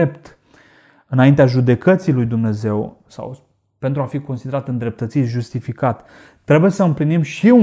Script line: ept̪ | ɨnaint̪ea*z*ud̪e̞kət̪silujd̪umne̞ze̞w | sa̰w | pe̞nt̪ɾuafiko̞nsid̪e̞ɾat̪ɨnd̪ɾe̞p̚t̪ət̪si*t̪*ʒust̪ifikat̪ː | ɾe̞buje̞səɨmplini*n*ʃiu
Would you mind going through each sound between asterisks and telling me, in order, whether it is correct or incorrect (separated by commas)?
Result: incorrect, correct, incorrect